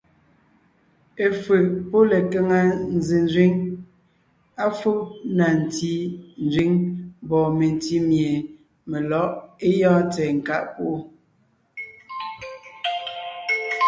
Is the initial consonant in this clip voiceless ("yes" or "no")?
yes